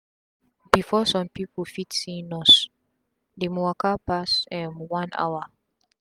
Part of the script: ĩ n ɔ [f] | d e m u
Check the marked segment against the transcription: incorrect: s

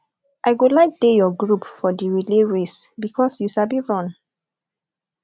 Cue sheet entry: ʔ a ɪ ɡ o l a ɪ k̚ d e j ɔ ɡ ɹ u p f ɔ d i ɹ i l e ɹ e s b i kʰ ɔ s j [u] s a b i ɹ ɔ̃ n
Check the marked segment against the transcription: correct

